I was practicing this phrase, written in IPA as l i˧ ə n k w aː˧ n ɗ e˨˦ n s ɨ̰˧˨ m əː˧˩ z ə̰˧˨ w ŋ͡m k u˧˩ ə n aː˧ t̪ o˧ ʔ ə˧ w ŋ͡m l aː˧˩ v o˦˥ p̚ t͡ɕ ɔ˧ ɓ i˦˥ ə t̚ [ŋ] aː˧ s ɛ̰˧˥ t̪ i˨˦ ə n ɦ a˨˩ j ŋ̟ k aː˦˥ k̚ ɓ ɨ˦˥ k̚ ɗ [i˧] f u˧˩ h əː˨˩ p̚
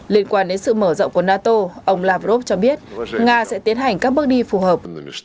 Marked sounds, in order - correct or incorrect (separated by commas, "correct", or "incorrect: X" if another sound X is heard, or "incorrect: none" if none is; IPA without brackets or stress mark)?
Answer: correct, correct